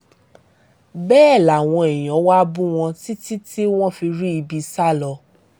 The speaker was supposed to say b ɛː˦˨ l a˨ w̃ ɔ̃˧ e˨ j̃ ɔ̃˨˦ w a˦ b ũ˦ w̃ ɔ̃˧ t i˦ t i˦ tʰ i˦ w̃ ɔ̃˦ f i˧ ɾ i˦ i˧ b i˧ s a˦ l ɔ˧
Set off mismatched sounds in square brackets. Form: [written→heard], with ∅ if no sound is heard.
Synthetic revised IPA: b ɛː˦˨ l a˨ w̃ ɔ̃˧ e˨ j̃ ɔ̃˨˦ w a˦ b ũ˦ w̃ ɔ̃˧ t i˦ t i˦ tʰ i˦ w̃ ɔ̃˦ f i˧ ɾ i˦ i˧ b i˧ s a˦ l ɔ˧